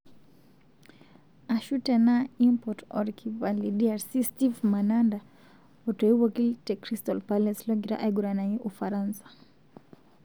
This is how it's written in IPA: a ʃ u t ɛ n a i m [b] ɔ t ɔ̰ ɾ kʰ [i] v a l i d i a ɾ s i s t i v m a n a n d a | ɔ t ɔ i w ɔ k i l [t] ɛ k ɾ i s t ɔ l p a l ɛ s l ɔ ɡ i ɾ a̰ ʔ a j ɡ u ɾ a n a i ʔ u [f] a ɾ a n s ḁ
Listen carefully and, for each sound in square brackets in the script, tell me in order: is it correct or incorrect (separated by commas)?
incorrect, correct, correct, correct